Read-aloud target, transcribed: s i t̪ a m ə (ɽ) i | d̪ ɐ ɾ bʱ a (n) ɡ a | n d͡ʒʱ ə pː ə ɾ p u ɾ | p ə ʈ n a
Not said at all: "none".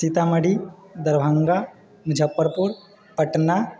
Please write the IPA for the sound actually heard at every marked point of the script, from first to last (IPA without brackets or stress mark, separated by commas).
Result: ɽ, ŋ